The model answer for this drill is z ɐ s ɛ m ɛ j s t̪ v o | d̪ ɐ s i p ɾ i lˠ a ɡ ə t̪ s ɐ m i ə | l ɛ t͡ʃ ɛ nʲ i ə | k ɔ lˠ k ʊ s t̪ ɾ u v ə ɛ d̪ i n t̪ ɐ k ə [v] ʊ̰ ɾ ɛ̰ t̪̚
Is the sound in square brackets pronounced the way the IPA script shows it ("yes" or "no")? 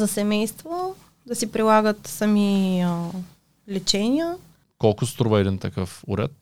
no